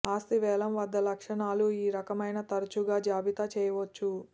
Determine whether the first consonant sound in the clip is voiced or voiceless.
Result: voiceless